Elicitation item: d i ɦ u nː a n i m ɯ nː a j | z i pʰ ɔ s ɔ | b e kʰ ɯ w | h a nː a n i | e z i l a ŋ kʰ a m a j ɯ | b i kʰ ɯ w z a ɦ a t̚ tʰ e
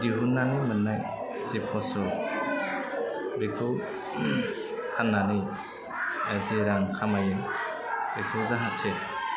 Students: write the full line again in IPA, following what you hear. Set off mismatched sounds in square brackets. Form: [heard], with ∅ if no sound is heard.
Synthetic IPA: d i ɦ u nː a n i m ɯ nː a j | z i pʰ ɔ s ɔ | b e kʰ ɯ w | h a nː a n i | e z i [ɾ] a ŋ kʰ a m a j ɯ | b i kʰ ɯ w z a ɦ a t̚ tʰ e